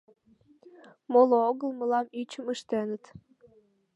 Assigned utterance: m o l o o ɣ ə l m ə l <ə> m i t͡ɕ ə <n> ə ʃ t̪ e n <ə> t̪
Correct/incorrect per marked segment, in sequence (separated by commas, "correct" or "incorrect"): incorrect, incorrect, correct